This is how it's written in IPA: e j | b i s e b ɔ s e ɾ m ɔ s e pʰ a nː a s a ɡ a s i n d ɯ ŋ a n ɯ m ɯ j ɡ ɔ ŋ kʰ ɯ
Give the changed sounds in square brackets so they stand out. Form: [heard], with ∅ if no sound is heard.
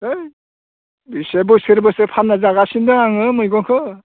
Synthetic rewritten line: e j | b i s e b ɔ s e ɾ [b] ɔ s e pʰ a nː a [z] a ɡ a s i n d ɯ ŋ a [ŋ] ɯ m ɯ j ɡ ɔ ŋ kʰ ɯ

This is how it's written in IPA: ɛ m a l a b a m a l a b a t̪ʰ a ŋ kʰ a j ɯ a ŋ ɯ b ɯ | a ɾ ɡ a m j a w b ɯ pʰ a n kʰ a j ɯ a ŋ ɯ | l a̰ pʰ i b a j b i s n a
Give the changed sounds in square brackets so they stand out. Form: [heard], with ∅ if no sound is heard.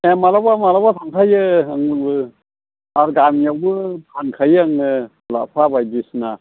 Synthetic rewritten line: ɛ m a l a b a m a l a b a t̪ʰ a ŋ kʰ a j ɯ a ŋ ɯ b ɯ | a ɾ ɡ a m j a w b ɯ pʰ a n kʰ a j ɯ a ŋ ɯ | l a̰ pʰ [a] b a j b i s n a

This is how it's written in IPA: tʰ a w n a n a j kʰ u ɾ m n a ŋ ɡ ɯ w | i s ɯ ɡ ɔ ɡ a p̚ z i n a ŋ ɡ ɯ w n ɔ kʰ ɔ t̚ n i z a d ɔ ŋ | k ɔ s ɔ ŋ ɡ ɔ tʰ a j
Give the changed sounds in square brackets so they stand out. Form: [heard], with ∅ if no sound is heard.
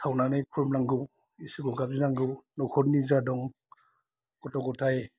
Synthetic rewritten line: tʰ a w n a n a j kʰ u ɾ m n a ŋ ɡ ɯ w | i s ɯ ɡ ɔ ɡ a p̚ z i n a ŋ ɡ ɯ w n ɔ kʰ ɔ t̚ n i z a d ɔ ŋ | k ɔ [t] ɔ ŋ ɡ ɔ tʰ a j

